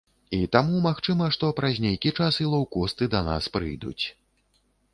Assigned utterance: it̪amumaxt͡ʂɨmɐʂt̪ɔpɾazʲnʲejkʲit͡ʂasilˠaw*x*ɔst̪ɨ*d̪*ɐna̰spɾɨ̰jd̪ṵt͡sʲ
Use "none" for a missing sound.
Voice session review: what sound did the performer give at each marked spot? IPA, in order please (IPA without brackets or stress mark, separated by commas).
k, d̪